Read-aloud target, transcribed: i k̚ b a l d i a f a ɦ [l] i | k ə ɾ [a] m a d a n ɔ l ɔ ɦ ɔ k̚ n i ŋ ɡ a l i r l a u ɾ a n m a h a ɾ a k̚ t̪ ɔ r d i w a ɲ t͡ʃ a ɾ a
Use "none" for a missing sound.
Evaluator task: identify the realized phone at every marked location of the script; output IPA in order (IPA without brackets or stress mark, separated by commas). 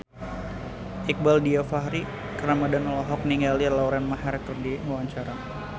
ɾ, a